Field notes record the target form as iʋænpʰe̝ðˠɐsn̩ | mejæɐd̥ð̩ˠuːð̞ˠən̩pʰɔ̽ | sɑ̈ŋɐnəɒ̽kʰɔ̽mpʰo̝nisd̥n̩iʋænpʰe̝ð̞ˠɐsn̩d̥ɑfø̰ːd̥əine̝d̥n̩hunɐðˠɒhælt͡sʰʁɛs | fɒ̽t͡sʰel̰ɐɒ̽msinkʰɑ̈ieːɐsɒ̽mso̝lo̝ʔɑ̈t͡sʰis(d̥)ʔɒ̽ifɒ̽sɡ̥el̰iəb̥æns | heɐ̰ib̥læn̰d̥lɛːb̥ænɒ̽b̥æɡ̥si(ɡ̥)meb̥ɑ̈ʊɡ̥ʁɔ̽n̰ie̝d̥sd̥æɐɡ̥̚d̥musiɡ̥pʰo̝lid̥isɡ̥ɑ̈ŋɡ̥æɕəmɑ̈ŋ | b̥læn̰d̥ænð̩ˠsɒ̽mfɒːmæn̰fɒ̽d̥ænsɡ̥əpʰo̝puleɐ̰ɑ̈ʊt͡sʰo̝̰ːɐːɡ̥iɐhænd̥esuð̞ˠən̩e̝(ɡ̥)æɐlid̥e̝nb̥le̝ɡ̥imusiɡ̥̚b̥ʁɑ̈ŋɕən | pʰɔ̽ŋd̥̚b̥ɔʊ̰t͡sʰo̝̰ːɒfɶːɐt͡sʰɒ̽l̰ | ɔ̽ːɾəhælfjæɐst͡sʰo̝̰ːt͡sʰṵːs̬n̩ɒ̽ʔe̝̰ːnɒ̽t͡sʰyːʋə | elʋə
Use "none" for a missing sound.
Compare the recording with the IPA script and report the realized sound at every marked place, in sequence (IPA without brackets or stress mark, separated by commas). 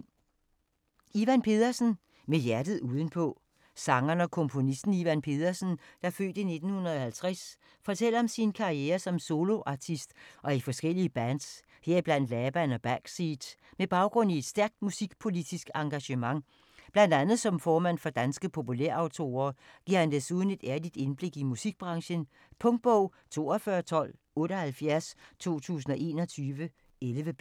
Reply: d̥, d̥, d̥